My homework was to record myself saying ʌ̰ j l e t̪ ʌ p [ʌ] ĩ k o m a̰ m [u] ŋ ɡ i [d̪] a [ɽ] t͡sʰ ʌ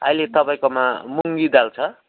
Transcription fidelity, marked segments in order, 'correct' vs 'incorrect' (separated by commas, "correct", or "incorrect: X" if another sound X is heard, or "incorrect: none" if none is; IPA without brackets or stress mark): incorrect: a, correct, correct, incorrect: l